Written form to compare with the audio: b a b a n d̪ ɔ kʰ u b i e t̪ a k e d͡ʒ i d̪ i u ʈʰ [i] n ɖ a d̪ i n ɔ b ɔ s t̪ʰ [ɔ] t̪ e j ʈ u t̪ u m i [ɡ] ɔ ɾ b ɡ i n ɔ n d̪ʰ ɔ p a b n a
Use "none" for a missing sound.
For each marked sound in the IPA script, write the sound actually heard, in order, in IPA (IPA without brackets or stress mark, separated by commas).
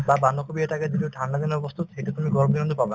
a, u, ɡ